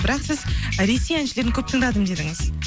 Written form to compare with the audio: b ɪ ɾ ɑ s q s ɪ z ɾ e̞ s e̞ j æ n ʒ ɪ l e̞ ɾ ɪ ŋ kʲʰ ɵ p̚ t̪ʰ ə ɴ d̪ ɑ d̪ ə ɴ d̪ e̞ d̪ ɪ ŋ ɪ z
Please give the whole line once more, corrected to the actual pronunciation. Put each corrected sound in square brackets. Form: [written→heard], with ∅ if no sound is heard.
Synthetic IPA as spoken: b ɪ ɾ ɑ [s→∅] q s ɪ z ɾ e̞ s e̞ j æ n [ʒ→ʃ] ɪ l e̞ ɾ ɪ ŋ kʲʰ ɵ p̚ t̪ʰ ə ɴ d̪ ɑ d̪ ə [ɴ→m] d̪ e̞ d̪ ɪ ŋ ɪ z